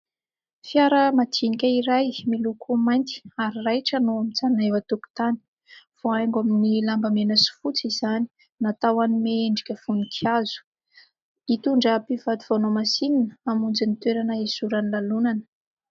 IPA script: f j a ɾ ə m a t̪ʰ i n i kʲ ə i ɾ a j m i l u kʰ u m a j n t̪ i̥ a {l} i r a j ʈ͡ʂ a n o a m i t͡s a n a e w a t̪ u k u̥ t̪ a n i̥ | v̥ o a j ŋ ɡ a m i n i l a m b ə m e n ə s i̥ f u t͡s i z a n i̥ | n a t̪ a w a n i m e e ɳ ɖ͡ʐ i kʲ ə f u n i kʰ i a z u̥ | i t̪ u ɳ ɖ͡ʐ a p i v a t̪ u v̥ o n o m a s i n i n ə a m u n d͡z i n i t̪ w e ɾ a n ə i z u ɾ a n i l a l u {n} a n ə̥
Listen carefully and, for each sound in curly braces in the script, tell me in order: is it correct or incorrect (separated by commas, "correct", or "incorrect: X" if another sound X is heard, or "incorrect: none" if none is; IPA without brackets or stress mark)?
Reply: incorrect: ɾ, correct